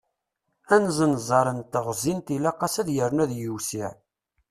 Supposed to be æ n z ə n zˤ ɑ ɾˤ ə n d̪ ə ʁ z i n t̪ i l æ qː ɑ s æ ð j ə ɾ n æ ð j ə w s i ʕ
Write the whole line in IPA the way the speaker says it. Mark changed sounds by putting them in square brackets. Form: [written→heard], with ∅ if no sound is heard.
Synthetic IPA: æ n z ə n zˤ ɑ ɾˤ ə n [d̪→t̪] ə ʁ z i n t̪ i l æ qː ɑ s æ ð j ə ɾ n æ ð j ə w s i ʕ